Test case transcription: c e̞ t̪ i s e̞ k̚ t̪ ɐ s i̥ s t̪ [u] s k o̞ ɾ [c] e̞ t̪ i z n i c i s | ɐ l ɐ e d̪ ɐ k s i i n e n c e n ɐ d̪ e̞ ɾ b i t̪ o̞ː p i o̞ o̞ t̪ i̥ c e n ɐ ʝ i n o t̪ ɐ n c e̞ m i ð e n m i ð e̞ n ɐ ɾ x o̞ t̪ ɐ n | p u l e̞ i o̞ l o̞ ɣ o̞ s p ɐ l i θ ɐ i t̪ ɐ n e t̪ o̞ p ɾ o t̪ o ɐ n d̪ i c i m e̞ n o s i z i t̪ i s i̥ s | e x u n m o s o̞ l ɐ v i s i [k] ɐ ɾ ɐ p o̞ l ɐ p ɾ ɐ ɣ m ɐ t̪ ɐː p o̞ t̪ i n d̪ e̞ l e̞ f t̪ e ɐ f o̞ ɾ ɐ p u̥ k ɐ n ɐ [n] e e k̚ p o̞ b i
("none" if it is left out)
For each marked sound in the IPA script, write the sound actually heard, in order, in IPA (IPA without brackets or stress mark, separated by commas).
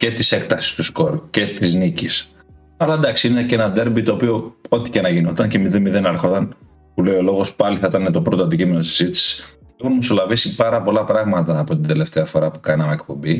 u, c, p, m